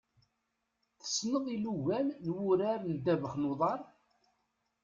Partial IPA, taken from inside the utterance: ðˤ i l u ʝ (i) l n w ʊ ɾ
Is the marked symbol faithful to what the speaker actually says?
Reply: no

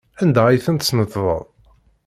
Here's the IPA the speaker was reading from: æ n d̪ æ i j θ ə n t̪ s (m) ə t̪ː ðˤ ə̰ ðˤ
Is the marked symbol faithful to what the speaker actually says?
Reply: no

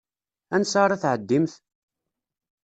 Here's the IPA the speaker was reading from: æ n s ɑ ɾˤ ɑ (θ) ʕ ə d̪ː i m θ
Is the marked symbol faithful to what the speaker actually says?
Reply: yes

